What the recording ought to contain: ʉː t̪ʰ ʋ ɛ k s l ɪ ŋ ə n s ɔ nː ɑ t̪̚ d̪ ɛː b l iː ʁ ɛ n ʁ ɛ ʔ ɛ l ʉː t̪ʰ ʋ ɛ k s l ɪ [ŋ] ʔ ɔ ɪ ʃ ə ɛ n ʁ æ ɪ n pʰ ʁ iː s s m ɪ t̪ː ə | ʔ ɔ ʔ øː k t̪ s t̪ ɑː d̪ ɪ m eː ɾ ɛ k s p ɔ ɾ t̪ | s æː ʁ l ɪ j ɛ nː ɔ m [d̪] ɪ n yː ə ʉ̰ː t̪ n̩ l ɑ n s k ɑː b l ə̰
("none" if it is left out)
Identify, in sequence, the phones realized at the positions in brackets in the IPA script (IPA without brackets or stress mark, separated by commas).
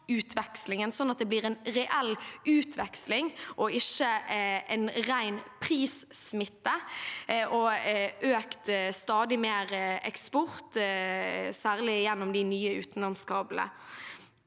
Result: ŋ, d̪